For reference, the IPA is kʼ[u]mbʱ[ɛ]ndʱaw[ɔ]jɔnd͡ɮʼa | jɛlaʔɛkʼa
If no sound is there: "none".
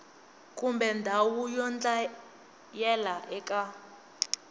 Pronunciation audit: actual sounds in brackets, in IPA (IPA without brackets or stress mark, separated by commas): u, ɛ, u